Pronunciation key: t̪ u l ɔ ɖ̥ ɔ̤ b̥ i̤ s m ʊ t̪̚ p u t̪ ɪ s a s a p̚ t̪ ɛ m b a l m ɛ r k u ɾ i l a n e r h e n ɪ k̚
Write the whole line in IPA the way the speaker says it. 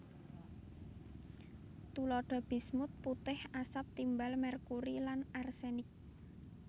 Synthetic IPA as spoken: t̪ u l ɔ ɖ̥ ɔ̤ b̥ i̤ s m ʊ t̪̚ p u t̪ ɪ h a s a p̚ t̪ i m b a l m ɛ r k u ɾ i l a n a r s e n ɪ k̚